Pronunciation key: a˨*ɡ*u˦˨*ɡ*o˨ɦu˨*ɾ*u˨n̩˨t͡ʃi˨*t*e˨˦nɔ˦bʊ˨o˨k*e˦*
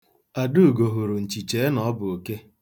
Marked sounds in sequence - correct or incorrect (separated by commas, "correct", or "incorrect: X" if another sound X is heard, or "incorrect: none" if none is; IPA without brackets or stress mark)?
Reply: incorrect: d, correct, correct, incorrect: t͡ʃ, correct